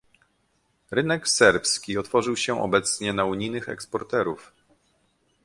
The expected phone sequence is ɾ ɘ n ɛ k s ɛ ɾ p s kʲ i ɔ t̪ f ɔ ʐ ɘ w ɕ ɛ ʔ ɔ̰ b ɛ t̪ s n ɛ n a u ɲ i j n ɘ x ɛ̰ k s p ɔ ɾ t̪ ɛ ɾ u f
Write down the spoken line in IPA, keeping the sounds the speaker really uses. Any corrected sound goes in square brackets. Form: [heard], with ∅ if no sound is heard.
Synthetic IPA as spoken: ɾ ɘ n ɛ k s ɛ ɾ p s kʲ i ɔ t̪ f ɔ ʐ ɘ w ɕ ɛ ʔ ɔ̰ b ɛ t̪ s [ɲ] ɛ n a u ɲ i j n ɘ x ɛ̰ k s p ɔ ɾ t̪ ɛ ɾ u f

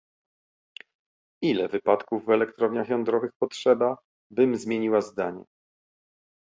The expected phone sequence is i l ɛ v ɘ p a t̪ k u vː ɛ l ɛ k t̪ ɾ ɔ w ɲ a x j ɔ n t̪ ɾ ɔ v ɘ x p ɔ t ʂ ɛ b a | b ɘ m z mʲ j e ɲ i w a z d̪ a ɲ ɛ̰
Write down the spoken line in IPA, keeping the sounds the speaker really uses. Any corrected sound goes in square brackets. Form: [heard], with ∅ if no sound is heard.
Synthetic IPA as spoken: i l ɛ v ɘ p a t̪ k u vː ɛ l ɛ k t̪ ɾ ɔ [v] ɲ a x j ɔ n [d̪] ɾ ɔ v ɘ x p ɔ t ʂ ɛ b a | b ɘ m z mʲ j e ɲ i w a z d̪ a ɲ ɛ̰

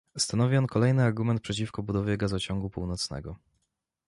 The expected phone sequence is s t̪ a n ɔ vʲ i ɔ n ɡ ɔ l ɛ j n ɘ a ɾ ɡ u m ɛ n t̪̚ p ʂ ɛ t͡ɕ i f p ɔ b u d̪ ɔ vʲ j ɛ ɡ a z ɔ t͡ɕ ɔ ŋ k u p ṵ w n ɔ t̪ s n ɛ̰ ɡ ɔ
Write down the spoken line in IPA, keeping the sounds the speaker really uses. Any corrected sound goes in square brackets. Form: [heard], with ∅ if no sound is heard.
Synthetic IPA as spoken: s t̪ a n ɔ vʲ i ɔ n [k] ɔ l ɛ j n ɘ a ɾ ɡ u m ɛ n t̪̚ p ʂ ɛ t͡ɕ i f [k] ɔ b u d̪ ɔ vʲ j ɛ ɡ a z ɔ t͡ɕ ɔ ŋ [ɡ] u p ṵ w n ɔ t̪ s n ɛ̰ ɡ ɔ

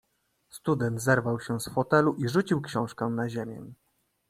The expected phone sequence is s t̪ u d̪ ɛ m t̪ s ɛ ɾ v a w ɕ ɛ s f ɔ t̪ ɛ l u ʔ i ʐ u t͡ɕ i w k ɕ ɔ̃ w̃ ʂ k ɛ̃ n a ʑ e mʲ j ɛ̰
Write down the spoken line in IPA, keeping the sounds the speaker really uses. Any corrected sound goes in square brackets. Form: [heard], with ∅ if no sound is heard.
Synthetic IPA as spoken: s t̪ u d̪ ɛ [n] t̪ [z] ɛ ɾ v a w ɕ ɛ s f ɔ t̪ ɛ l u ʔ i ʐ u t͡ɕ i w k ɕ ɔ̃ w̃ ʂ k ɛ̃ n a ʑ e mʲ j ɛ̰

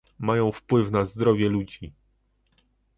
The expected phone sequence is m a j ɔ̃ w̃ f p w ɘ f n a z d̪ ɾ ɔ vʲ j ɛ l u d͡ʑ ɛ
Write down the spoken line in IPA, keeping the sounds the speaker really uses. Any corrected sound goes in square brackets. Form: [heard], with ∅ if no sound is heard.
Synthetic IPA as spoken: m a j ɔ̃ w̃ f p w ɘ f n a z d̪ ɾ ɔ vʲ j ɛ l u d͡ʑ [i]

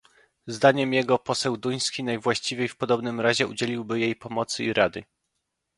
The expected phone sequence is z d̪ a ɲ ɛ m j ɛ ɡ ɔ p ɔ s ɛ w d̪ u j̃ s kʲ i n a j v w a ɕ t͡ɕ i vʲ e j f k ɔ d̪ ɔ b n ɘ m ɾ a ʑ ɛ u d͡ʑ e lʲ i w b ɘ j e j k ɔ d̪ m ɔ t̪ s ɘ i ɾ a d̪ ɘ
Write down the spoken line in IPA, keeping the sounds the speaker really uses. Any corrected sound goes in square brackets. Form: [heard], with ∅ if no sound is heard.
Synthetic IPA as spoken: z d̪ a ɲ ɛ m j ɛ ɡ ɔ p ɔ s ɛ w d̪ u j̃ s kʲ i n a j v w a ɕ t͡ɕ i vʲ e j f [p] ɔ d̪ ɔ b n ɘ m ɾ a ʑ ɛ u d͡ʑ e lʲ i w b ɘ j e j [p] ɔ [∅] m ɔ t̪ s ɘ i ɾ a d̪ ɘ

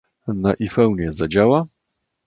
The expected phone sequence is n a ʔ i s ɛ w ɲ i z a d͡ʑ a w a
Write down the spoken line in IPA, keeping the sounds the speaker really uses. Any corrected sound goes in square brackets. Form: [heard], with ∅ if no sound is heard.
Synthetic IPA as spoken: n a ʔ i [f] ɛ w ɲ [ɛ] z a d͡ʑ a w a

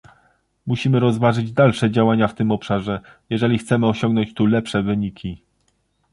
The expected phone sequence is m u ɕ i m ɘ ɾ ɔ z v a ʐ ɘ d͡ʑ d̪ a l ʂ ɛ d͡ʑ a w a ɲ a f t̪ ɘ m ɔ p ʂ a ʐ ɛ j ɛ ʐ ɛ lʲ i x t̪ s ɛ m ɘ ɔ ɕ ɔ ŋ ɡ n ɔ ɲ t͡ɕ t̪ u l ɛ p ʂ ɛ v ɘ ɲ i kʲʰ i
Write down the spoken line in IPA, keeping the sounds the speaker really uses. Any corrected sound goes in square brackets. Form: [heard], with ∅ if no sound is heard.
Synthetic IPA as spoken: m u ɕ i m ɘ ɾ ɔ z v a ʐ ɘ d͡ʑ d̪ a l ʂ ɛ d͡ʑ a w a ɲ a f t̪ ɘ m ɔ p ʂ a ʐ ɛ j ɛ ʐ ɛ lʲ i x t̪ s ɛ m ɘ ɔ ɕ ɔ ŋ ɡ n ɔ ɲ t͡ɕ t̪ u l ɛ p ʂ ɛ v ɘ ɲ i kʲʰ i

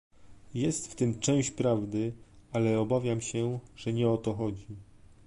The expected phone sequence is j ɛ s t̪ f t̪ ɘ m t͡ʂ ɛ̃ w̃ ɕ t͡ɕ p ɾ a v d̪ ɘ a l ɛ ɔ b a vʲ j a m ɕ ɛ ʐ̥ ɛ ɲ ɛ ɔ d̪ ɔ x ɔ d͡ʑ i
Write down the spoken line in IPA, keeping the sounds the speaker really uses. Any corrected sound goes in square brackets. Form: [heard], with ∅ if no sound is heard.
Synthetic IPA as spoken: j ɛ s t̪ f t̪ ɘ m t͡ʂ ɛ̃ w̃ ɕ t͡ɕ p ɾ a v d̪ ɘ a l ɛ ɔ b a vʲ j a m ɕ ɛ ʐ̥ ɛ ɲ ɛ ɔ [t̪] ɔ x ɔ d͡ʑ i

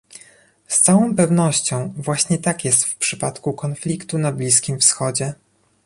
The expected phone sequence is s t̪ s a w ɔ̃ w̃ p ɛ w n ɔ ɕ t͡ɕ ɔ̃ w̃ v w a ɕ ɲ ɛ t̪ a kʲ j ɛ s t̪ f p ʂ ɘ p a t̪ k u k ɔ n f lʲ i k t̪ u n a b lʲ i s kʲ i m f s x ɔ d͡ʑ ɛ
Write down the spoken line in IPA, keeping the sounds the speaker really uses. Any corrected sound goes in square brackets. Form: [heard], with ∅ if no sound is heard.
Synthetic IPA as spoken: s t̪ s a w ɔ̃ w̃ p ɛ [v] n ɔ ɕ t͡ɕ ɔ̃ w̃ v w a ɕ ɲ ɛ t̪ a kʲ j ɛ s t̪ f p ʂ ɘ p a t̪ k u k ɔ n f lʲ i k t̪ u n a b lʲ i s kʲ i m f s x ɔ d͡ʑ ɛ

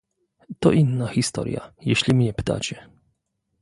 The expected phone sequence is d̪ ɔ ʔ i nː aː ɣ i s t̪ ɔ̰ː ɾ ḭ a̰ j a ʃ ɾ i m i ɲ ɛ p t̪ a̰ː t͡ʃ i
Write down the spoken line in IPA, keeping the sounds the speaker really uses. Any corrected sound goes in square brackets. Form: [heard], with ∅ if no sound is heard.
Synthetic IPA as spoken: [t̪] ɔ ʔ i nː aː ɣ i s t̪ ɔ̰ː ɾ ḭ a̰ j [ɛ] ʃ [l] i m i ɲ ɛ p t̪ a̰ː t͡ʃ [ɛ]

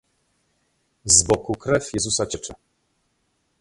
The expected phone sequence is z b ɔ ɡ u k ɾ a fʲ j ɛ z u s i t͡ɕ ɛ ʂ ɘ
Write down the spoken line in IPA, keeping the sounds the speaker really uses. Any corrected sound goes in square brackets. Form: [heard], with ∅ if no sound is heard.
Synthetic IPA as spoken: z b ɔ [k] u k ɾ [ɛ] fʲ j ɛ z u s [a] t͡ɕ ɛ [t͡ʂ] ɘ

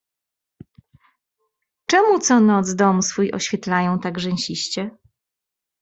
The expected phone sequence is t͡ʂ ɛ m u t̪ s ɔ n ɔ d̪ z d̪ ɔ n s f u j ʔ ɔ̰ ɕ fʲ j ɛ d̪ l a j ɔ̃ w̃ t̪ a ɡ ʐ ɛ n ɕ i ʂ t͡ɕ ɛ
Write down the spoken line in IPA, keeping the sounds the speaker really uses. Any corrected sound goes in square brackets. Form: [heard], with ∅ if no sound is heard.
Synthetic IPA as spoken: t͡ʂ ɛ m u t̪ s ɔ n ɔ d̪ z d̪ ɔ [m] s f u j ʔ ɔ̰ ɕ fʲ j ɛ [t̪] l a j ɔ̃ w̃ t̪ a ɡ ʐ ɛ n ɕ i [ɕ] t͡ɕ ɛ

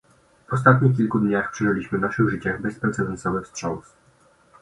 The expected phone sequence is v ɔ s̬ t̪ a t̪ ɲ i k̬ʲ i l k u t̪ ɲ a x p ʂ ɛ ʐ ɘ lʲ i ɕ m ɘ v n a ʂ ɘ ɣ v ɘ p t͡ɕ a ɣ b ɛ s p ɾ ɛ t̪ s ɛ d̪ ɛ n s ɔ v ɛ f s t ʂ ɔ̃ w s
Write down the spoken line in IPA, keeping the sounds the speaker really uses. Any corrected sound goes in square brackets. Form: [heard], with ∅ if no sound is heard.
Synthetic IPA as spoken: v ɔ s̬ t̪ a t̪ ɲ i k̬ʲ i l k u [d̪] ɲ a x p ʂ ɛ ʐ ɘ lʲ i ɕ m ɘ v n a ʂ ɘ ɣ [ʐ] ɘ [∅] t͡ɕ a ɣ b ɛ s p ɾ ɛ t̪ s ɛ d̪ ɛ n s ɔ v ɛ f s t ʂ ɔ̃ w s

